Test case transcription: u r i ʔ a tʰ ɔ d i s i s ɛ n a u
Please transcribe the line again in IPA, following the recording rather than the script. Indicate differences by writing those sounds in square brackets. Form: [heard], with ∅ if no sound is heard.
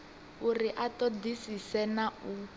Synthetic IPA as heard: u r i ʔ a [t] ɔ d i s i s ɛ n a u